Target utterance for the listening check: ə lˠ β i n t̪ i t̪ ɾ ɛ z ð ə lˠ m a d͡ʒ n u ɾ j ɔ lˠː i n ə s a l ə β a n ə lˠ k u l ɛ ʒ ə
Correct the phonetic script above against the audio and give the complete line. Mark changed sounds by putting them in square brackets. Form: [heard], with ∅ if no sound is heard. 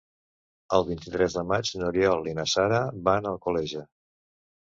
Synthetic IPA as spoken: ə lˠ β i n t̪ i t̪ ɾ ɛ z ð ə [∅] m a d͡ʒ n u ɾ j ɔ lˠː i n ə s a [ɾ] ə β a n ə lˠ k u l ɛ ʒ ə